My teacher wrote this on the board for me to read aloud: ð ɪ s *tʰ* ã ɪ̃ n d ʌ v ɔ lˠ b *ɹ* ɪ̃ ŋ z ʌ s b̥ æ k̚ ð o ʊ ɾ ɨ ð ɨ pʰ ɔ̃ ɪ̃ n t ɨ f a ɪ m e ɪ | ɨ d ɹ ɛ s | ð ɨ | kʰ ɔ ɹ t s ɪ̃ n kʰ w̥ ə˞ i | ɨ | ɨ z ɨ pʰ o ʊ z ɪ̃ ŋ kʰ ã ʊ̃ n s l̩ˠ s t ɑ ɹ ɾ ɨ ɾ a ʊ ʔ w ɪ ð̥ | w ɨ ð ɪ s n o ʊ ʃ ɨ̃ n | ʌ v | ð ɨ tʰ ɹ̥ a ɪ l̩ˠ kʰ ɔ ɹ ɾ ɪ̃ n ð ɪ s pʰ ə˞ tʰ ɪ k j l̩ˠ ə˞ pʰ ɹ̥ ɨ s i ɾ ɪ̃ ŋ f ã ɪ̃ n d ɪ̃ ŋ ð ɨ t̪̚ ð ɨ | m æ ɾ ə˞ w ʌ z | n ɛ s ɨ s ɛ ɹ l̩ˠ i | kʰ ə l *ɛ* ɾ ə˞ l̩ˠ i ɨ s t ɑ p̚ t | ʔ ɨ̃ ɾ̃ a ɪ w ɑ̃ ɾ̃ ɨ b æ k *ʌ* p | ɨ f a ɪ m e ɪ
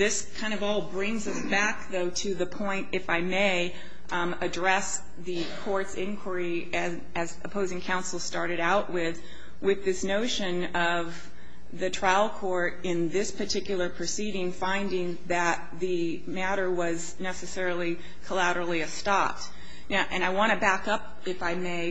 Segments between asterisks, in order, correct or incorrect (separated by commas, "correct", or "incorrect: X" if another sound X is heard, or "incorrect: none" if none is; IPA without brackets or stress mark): incorrect: kʰ, correct, incorrect: æ, correct